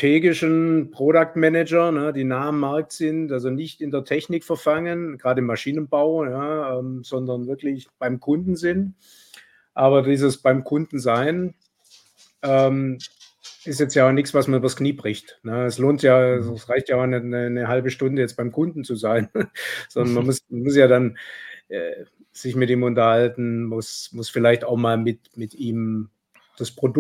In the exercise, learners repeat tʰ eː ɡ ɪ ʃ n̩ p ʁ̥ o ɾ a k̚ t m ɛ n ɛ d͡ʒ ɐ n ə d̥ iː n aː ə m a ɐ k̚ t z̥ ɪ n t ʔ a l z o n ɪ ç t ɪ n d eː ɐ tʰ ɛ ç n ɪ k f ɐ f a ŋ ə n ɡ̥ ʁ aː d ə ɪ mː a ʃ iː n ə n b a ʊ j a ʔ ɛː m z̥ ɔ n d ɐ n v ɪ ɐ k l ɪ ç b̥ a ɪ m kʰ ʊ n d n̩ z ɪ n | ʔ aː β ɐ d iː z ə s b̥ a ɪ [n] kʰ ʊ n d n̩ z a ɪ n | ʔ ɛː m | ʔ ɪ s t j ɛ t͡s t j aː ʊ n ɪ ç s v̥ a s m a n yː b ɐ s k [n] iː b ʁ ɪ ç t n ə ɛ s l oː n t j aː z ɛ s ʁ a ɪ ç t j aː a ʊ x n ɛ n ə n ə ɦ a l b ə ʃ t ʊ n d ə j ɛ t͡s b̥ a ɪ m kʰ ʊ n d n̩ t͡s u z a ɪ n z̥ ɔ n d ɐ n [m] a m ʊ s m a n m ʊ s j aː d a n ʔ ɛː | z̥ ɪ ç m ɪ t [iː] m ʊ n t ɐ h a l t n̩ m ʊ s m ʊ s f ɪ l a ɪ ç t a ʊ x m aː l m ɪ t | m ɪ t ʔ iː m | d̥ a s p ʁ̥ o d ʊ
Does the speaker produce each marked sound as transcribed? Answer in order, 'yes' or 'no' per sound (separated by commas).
no, yes, yes, yes